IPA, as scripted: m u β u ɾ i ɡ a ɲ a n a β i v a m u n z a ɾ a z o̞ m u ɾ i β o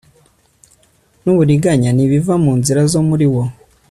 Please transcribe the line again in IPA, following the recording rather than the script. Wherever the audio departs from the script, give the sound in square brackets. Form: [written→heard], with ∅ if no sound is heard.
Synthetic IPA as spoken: [m→n] u β u ɾ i ɡ a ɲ a n [a→i] β i v a m [u→uː] n z [a→i] ɾ a z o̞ m u ɾ i [β→w] o